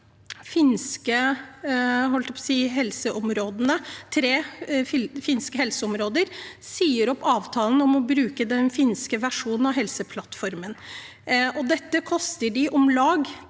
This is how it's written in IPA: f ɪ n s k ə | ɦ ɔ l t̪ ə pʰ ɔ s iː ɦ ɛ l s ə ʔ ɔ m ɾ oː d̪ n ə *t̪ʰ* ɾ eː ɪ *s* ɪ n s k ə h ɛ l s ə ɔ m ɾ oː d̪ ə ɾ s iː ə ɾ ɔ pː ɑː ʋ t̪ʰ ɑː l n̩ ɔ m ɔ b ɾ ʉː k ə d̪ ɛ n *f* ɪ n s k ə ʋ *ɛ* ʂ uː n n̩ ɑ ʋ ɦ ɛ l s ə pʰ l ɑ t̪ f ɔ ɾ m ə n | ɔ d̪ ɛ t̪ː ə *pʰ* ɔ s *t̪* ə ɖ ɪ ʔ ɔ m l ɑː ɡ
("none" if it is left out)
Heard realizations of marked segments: t̪ʰ, f, f, æ, kʰ, t̪

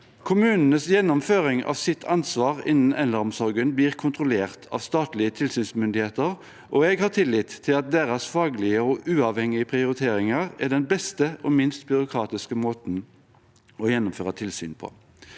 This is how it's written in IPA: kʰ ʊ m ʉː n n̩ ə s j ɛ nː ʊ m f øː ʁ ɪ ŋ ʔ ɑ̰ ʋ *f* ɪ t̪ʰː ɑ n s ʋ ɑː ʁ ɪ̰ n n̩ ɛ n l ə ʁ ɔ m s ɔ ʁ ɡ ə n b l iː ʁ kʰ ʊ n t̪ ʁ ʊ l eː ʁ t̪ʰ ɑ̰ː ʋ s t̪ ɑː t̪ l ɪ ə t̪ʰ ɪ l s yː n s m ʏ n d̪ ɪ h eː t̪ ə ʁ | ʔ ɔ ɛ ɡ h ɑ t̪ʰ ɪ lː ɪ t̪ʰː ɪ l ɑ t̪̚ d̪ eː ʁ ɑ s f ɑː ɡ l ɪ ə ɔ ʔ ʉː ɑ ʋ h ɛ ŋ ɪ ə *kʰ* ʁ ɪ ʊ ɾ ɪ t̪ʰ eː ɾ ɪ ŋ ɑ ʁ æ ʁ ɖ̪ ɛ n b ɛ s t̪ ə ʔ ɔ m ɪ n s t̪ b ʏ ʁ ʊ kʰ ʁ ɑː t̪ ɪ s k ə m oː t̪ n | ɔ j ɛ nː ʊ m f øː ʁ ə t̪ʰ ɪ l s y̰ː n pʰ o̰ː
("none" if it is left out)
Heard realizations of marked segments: s, pʰ

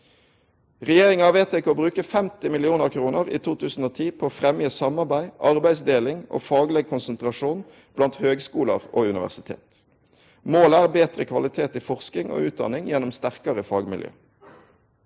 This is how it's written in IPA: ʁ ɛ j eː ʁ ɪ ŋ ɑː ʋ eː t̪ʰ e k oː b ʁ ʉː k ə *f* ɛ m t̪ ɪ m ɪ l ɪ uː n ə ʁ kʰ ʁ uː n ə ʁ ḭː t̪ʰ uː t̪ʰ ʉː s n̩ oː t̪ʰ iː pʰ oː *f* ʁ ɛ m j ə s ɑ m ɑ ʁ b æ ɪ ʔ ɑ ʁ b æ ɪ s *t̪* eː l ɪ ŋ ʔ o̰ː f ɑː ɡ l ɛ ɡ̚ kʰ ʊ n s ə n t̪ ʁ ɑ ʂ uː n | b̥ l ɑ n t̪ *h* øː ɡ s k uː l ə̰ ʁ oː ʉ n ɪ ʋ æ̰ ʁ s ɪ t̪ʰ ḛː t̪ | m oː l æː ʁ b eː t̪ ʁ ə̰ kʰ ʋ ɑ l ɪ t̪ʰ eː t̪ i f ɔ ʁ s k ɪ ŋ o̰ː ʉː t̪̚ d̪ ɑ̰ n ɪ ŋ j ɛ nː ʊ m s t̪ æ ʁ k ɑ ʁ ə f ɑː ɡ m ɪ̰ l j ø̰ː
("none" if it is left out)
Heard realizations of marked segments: f, f, d̪, h

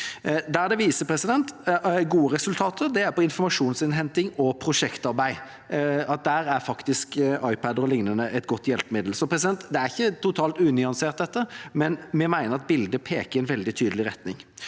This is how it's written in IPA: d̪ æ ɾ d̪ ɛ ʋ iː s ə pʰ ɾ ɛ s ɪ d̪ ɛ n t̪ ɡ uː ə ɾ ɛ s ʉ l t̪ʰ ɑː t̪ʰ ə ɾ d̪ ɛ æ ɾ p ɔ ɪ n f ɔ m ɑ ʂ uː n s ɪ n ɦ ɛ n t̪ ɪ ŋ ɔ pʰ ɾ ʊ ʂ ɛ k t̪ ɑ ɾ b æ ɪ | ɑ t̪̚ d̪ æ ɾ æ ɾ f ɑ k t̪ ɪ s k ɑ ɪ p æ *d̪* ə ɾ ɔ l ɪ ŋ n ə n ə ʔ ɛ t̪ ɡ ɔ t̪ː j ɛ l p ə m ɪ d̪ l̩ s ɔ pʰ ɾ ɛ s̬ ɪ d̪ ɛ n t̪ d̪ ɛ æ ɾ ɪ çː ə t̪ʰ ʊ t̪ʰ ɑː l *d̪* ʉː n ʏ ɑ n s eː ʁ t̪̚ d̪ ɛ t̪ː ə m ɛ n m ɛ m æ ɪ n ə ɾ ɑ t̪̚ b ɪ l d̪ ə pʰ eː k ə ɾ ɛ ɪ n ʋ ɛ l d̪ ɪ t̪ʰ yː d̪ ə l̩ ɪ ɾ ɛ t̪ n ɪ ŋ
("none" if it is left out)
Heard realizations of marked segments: d̪, t̪

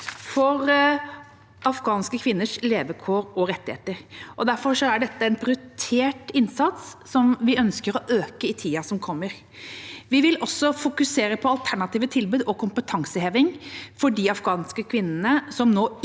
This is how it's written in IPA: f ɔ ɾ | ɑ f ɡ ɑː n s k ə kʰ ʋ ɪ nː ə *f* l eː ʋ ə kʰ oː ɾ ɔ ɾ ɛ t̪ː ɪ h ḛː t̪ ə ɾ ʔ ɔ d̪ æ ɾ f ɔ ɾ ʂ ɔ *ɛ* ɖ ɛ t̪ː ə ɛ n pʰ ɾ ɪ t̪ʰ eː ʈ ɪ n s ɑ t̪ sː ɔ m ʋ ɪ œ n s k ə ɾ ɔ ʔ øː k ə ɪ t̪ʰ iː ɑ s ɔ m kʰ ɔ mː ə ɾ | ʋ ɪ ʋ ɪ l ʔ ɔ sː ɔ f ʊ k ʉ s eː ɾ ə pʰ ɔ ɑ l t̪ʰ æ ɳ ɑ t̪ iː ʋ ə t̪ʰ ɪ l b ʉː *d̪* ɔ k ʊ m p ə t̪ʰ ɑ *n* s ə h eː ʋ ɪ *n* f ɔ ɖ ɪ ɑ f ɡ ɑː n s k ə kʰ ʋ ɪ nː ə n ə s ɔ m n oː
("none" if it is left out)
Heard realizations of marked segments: ʂ, æ, d̪, ŋ, ŋ

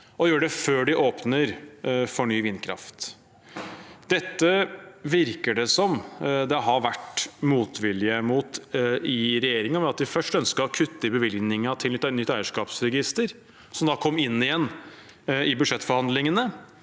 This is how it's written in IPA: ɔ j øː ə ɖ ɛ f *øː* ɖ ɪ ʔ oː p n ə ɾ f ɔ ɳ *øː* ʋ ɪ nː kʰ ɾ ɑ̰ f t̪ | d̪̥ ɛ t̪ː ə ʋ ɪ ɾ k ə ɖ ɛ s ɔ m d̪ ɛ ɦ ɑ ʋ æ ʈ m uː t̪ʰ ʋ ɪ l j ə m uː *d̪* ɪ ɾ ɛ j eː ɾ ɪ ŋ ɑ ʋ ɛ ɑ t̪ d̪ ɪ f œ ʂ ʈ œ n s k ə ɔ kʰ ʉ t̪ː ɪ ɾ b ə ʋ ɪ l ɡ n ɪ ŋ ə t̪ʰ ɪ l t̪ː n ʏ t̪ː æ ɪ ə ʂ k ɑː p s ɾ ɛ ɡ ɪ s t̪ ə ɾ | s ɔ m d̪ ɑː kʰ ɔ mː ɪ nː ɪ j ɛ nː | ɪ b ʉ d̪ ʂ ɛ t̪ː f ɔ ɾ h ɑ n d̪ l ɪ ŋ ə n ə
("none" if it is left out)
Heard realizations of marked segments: øː, yː, t̪

